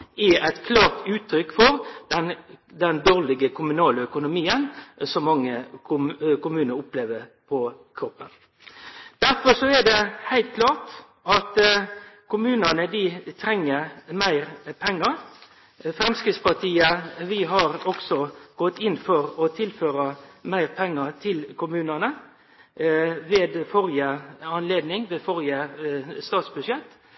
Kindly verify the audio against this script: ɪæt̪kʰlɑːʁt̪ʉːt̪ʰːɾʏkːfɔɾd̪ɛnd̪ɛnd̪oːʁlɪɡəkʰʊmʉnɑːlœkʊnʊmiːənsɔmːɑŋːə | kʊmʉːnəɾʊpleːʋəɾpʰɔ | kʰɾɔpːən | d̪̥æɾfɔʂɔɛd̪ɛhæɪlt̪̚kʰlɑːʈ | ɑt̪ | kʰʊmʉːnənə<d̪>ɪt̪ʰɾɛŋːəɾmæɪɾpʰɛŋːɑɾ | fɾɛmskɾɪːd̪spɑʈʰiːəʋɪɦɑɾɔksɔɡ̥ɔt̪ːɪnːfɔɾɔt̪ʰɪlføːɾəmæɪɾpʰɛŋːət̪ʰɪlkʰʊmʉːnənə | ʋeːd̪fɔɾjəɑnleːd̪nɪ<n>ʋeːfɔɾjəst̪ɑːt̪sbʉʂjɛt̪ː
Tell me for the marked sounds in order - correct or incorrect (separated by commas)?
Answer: correct, incorrect